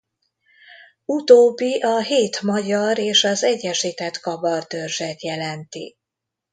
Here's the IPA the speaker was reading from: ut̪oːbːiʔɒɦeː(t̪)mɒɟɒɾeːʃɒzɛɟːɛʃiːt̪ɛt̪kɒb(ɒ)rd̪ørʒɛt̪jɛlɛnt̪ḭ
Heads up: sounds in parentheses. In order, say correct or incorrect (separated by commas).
correct, correct